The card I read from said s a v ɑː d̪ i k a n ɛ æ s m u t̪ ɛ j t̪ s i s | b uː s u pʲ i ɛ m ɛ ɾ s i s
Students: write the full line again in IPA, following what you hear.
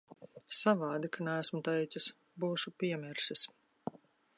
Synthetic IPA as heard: s a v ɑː d̪ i k a n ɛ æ s m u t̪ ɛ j t̪ s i s | b uː ʃ u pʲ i ɛ m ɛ ɾ s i s